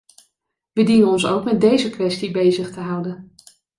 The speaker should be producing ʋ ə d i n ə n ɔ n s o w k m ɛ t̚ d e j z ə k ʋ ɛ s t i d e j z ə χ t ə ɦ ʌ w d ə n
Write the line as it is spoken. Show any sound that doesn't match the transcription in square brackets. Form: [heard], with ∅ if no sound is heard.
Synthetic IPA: ʋ ə d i n ə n ɔ n s o w k m ɛ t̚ d e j z ə k ʋ ɛ s t i [b] e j z ə χ t ə ɦ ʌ w d ə n